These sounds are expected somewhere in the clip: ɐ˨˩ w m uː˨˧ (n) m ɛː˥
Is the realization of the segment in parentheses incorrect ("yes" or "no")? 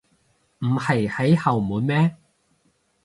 no